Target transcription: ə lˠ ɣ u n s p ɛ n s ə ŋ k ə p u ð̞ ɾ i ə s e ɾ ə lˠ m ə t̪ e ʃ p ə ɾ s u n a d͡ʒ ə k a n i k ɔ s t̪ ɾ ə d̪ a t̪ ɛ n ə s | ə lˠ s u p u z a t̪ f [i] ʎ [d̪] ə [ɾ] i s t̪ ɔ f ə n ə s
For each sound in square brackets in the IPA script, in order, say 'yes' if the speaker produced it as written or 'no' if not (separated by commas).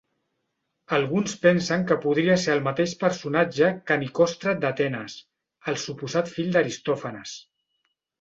yes, yes, yes